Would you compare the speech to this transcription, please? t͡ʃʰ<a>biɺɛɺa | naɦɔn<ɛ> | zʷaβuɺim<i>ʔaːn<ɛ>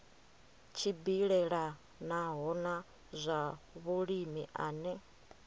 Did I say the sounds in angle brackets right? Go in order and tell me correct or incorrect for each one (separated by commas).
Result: incorrect, incorrect, correct, correct